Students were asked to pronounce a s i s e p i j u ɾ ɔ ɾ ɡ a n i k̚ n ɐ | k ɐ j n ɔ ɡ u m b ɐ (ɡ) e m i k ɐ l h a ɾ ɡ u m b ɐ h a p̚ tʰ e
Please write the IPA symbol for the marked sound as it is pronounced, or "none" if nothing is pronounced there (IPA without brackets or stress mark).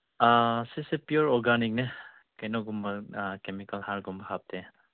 k